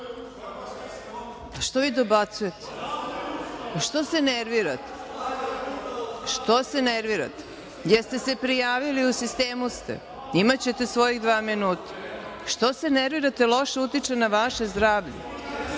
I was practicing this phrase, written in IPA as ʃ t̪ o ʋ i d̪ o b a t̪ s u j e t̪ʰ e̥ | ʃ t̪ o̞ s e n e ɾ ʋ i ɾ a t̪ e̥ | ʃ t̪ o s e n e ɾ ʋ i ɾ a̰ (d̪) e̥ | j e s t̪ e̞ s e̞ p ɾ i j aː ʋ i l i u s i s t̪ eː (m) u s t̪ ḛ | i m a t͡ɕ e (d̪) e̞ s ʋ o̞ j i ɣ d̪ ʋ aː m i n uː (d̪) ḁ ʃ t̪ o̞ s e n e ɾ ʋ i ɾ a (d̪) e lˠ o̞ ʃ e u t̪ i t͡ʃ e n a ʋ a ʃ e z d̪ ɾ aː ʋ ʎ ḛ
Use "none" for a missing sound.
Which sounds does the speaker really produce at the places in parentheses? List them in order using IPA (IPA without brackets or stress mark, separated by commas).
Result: t̪, m, t̪, t̪, t̪